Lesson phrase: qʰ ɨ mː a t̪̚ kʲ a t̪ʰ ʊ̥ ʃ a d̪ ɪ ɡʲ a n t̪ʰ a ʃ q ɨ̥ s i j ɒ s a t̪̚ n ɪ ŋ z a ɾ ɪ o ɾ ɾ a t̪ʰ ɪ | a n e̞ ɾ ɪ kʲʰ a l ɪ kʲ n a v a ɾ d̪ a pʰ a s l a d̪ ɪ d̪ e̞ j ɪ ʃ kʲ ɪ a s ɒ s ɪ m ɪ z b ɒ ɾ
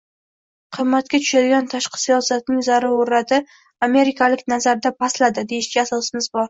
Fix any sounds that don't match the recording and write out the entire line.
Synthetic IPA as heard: qʰ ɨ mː a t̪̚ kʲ a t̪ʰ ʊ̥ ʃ a d̪ ɪ ɡʲ a n t̪ʰ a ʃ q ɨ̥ s i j ɒ s a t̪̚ n ɪ ŋ z a ɾ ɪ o ɾ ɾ a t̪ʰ ɪ | a m e̞ ɾ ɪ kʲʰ a l ɪ kʲ n a z a ɾ d̪ a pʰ a s l a d̪ ɪ d̪ e̞ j ɪ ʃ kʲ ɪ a s ɒ s ɪ m ɪ z b ɒ ɾ